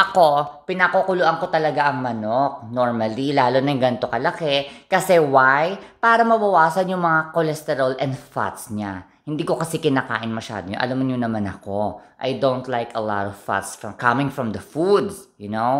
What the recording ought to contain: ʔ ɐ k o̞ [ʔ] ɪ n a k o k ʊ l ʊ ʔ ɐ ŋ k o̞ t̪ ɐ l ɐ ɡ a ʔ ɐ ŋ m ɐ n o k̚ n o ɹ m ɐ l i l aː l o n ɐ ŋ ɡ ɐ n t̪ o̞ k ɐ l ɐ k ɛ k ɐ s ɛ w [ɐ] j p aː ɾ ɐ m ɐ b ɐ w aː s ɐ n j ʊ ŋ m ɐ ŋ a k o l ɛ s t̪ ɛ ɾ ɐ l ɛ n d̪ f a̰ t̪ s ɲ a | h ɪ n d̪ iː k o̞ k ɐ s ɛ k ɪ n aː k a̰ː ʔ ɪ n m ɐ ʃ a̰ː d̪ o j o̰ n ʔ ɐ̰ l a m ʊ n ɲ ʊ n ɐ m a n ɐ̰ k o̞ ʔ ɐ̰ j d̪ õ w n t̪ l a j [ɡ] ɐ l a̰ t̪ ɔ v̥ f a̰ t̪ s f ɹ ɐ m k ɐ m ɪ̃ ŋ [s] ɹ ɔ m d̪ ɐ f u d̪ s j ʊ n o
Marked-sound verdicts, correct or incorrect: incorrect, incorrect, incorrect, incorrect

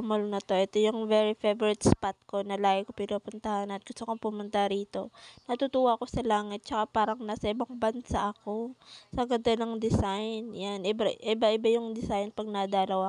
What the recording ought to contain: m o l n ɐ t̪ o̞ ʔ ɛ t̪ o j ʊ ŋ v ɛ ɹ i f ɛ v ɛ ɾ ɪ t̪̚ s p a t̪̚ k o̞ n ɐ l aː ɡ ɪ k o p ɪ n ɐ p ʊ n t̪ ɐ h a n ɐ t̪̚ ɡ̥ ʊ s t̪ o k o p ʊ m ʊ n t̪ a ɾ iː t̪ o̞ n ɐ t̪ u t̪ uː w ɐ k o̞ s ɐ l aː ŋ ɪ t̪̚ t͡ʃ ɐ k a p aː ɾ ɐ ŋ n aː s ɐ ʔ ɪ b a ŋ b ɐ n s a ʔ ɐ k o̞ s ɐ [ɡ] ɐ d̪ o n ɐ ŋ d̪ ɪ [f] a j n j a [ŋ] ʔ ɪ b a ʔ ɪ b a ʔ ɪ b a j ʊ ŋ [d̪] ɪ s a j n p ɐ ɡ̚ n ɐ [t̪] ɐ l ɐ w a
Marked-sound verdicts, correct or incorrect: correct, incorrect, incorrect, correct, incorrect

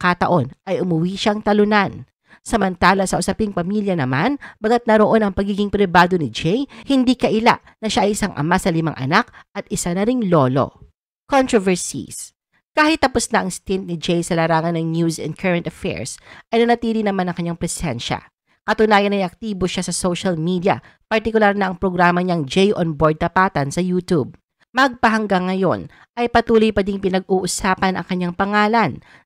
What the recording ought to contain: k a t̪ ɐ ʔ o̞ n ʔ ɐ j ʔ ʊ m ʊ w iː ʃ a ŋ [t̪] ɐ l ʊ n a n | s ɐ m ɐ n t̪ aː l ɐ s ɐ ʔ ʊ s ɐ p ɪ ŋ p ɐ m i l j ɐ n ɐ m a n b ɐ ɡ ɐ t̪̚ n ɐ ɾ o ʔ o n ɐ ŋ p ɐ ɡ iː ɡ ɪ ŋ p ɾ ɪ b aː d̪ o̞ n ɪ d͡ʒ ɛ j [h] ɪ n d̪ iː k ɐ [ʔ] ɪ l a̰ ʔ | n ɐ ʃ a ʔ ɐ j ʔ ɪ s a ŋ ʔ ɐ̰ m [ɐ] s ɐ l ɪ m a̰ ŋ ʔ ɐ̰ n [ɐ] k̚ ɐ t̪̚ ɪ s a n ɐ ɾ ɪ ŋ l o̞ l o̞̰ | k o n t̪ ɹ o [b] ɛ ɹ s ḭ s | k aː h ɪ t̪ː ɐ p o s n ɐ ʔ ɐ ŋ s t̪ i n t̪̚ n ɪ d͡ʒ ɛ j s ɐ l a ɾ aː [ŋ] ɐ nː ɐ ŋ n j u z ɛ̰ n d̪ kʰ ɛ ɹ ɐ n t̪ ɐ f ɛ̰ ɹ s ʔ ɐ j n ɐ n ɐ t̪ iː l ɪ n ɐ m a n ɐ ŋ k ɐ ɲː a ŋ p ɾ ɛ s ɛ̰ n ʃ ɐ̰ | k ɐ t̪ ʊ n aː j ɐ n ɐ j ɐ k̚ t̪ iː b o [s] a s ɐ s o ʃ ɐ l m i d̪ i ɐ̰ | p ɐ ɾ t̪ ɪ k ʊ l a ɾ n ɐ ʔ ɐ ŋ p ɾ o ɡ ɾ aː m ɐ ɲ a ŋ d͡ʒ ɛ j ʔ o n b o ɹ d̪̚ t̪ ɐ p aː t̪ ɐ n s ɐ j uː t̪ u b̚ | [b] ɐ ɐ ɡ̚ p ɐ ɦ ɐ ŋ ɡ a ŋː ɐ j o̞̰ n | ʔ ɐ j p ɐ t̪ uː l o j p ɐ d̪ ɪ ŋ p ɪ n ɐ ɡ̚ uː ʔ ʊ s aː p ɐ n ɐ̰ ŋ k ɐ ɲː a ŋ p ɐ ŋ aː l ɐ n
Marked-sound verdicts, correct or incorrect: correct, correct, correct, incorrect, incorrect, incorrect, correct, incorrect, incorrect

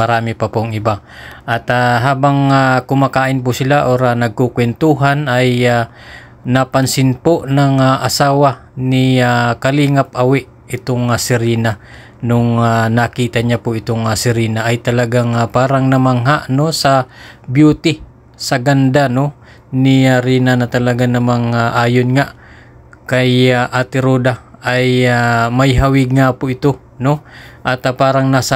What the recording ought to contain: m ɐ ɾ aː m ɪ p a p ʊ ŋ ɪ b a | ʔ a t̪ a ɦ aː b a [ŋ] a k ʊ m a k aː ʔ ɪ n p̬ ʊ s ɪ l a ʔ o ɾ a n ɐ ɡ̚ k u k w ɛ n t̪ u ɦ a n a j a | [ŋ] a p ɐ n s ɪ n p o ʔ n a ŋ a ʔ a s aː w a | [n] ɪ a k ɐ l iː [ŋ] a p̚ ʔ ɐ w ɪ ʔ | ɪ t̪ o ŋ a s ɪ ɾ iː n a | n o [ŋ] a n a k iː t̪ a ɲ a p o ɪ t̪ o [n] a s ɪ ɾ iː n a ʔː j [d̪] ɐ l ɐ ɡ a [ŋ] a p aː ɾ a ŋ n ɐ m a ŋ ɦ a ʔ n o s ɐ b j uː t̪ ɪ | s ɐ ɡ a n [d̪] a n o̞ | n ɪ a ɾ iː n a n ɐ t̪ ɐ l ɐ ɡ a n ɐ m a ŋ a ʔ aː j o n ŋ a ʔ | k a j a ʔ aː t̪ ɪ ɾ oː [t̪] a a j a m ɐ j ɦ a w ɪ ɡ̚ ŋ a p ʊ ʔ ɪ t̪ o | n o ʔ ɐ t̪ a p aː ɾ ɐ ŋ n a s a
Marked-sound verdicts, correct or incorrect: correct, incorrect, correct, correct, correct, incorrect, incorrect, correct, correct, incorrect

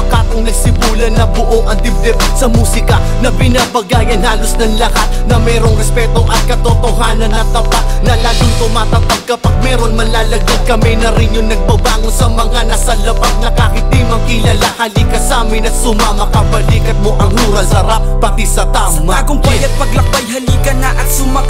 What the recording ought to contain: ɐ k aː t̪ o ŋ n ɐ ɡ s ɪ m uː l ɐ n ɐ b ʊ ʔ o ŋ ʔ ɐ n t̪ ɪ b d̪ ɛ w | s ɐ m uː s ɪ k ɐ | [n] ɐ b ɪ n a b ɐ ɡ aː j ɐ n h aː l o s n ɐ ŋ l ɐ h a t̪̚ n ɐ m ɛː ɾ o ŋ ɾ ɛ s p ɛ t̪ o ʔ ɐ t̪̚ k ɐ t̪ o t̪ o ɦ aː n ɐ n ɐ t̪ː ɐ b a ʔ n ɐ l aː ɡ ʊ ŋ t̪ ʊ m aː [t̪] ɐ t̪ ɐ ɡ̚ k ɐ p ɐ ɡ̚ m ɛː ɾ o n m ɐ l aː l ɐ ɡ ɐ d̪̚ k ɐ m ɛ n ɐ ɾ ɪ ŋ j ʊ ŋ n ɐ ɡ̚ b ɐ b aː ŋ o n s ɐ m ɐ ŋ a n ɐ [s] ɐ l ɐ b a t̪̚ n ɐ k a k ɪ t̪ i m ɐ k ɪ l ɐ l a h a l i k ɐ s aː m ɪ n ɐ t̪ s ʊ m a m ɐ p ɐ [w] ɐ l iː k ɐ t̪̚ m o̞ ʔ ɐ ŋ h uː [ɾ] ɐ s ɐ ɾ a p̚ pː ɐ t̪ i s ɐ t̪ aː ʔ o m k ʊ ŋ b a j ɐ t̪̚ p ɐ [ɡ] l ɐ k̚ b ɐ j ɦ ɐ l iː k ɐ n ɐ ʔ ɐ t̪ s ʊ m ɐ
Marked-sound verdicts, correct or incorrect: correct, correct, correct, incorrect, correct, correct

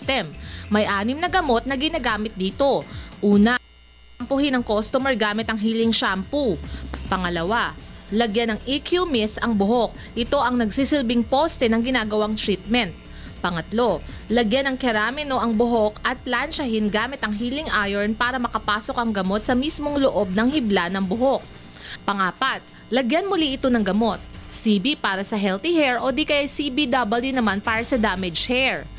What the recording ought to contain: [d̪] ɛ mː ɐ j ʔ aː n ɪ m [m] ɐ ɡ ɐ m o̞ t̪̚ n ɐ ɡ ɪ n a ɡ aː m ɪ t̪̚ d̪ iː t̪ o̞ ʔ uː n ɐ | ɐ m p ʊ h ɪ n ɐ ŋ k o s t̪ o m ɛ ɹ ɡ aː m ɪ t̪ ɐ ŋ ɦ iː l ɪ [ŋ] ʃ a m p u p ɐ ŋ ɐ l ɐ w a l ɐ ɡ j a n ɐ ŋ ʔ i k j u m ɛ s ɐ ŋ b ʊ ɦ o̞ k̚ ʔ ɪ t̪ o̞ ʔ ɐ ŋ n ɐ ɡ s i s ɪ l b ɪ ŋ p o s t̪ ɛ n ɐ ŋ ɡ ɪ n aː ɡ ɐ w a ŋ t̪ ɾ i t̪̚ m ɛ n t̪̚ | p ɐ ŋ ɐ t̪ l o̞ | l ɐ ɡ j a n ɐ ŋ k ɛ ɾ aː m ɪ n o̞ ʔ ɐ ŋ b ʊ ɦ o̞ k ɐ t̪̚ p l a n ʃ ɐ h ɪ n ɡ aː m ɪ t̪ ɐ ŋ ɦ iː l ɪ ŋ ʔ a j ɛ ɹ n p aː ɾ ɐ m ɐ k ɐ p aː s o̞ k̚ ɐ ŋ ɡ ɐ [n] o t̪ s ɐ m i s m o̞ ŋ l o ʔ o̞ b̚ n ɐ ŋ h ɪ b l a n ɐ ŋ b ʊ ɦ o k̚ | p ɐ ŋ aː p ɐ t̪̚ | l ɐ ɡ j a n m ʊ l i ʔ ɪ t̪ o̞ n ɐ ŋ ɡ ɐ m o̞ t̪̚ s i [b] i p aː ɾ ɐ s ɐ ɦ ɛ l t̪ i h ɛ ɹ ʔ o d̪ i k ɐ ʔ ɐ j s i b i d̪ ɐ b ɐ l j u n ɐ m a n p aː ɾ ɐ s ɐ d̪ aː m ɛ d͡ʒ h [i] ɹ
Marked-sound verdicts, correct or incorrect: incorrect, incorrect, correct, incorrect, correct, incorrect

